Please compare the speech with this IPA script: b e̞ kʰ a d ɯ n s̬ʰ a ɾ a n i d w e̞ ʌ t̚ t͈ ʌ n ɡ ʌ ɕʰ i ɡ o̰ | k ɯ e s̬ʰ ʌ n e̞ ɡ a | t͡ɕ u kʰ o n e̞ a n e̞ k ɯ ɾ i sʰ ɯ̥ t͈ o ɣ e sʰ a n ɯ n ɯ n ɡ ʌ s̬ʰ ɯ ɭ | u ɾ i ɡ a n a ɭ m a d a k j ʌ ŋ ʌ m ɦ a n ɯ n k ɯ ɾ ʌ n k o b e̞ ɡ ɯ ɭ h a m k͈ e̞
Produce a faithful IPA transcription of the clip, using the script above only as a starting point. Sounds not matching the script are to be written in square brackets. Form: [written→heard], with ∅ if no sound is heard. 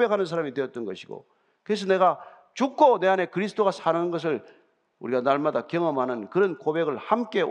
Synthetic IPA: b e̞ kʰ a [d→n] ɯ n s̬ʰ a ɾ a [n→m] i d w e̞ ʌ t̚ t͈ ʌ n ɡ ʌ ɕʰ i ɡ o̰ | k ɯ e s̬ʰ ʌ n e̞ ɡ a | t͡ɕ u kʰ o n e̞ a n e̞ k ɯ ɾ i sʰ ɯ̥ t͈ o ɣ [e→a] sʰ a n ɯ n ɯ n ɡ ʌ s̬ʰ ɯ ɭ | u ɾ i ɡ a n a ɭ m a d a k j ʌ ŋ ʌ m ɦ a n ɯ n k ɯ ɾ ʌ n k o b e̞ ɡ ɯ ɭ h a m k͈ e̞